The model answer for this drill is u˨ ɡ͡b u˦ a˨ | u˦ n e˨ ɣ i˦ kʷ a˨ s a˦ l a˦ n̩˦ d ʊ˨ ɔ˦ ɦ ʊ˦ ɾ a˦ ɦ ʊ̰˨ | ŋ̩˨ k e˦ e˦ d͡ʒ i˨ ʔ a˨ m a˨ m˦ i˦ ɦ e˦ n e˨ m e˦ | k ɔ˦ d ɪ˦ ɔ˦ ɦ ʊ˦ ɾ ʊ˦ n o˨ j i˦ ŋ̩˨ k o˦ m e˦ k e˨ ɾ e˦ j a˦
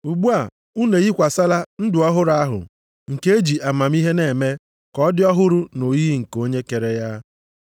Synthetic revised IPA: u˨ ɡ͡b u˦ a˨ | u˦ n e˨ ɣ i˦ kʷ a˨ s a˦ l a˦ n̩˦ d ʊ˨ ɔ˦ ɦ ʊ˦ ɾ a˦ ɦ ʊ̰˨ | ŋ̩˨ k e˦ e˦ d͡ʒ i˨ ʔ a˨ m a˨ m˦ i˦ ɦ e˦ n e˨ m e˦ | k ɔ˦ d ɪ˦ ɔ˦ ɦ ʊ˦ ɾ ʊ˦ n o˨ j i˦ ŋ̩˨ k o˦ ɲ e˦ k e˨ ɾ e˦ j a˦

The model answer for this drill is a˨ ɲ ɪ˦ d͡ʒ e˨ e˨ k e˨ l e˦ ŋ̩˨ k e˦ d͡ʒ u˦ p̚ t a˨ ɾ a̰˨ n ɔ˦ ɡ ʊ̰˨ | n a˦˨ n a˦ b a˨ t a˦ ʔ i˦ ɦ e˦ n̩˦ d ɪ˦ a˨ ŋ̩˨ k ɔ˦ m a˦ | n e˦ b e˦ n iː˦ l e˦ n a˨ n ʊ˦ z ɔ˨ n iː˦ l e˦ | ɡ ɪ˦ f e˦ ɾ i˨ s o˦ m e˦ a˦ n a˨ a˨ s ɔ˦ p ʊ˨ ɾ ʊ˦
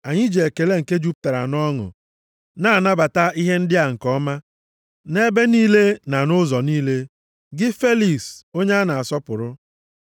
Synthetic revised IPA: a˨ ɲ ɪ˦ d͡ʒ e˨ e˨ k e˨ l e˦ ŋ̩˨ k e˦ d͡ʒ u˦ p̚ t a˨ ɾ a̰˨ n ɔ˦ ŋ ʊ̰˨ | n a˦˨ n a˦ b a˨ t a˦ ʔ i˦ ɦ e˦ n̩˦ d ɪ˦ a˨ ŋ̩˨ k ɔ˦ m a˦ | n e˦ b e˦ n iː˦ l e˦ n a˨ n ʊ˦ z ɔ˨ n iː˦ l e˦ | ɡ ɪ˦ f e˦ l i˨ s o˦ ɲ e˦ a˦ n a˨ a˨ s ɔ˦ p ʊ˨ ɾ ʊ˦

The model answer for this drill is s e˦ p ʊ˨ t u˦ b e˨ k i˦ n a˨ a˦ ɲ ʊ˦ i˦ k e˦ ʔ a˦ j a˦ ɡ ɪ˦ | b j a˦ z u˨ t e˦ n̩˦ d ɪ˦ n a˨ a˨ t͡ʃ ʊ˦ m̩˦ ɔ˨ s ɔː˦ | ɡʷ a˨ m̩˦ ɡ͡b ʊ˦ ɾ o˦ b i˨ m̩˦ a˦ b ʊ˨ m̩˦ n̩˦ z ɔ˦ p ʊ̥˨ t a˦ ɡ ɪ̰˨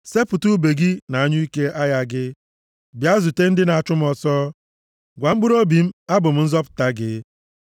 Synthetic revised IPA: s e˦ p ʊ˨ t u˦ b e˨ ɡ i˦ n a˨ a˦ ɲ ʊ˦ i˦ k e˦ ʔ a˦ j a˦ ɡ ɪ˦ | b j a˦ z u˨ t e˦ n̩˦ d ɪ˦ n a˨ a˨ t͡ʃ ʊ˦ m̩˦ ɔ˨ s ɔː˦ | ɡʷ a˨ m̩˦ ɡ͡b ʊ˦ ɾ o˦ b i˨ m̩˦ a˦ b ʊ˨ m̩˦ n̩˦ z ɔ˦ p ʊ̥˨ t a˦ ɡ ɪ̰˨

